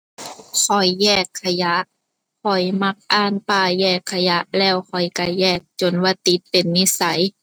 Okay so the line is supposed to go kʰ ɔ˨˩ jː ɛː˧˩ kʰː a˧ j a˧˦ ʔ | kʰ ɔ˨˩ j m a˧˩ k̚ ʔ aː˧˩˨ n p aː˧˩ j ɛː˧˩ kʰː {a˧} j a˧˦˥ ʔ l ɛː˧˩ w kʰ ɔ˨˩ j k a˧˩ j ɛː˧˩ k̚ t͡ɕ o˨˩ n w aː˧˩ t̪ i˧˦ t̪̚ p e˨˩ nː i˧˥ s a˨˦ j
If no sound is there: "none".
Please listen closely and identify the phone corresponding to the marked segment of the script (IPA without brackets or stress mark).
a˧